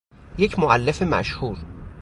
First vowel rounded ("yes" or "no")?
no